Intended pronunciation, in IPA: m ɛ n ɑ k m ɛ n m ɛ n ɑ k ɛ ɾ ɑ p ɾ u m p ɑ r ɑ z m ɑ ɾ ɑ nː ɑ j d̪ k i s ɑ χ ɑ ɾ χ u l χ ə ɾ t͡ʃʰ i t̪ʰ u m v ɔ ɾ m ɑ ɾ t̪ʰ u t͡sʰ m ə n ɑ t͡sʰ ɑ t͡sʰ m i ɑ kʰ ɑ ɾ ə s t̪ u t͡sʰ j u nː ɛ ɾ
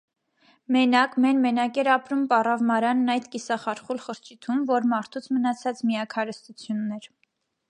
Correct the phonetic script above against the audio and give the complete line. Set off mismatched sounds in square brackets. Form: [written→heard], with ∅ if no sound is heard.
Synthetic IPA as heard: m ɛ n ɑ k m ɛ n m ɛ n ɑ k ɛ ɾ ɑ p ɾ u m p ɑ r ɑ [z→v] m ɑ ɾ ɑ nː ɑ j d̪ k i s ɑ χ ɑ ɾ χ u l χ ə ɾ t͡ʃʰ i t̪ʰ u m v ɔ ɾ m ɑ ɾ t̪ʰ u t͡sʰ m ə n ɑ t͡sʰ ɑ [t͡sʰ→t͡s] m i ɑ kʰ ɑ ɾ ə s t̪ u t͡sʰ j u nː ɛ ɾ